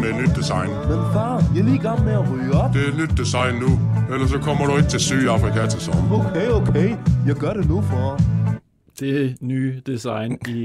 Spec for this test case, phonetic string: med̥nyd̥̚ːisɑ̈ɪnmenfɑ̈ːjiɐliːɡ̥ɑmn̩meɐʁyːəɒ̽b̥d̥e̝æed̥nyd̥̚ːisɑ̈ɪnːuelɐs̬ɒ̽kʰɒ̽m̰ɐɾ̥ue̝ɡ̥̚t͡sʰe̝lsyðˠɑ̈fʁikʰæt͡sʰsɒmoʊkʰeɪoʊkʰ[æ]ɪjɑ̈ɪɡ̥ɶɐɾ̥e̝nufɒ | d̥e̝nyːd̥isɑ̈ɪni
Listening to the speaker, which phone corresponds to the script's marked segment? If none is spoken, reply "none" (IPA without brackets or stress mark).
e